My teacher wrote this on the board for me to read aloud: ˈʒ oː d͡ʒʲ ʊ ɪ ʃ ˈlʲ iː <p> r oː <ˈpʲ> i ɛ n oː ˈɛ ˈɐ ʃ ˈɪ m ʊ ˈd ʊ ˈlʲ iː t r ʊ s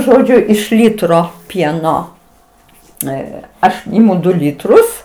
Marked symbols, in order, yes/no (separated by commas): no, yes